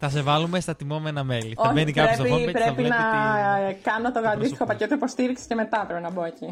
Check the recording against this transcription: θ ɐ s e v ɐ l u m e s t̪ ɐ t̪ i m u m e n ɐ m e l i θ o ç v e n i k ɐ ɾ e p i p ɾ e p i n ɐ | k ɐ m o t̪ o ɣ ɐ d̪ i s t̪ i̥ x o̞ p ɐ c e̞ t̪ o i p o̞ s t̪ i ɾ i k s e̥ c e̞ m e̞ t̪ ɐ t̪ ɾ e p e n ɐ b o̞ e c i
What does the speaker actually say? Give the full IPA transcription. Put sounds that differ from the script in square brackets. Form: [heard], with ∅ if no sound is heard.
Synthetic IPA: θ ɐ s e v ɐ l u m e s t̪ ɐ t̪ i m [o] m e n ɐ m e l i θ o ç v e n i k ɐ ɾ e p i p ɾ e p i n ɐ | k ɐ [n] o t̪ o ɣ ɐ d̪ i s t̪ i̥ x o̞ p ɐ c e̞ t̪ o i p o̞ s t̪ i ɾ i k s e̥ c e̞ m e̞ t̪ ɐ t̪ ɾ e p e n ɐ b o̞ e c i